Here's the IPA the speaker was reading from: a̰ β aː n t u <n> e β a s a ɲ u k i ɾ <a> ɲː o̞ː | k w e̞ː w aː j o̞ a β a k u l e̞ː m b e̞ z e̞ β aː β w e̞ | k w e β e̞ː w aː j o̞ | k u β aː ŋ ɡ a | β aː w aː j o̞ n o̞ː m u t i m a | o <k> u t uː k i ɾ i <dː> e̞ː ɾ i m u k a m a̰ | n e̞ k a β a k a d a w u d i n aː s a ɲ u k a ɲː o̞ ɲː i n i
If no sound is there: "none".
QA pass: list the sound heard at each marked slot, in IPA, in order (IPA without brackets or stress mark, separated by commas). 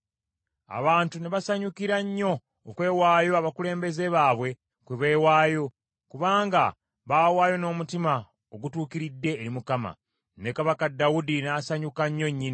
n, a, ɡ, dː